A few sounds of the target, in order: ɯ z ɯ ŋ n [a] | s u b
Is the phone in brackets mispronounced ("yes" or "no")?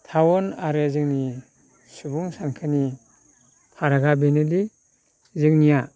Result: yes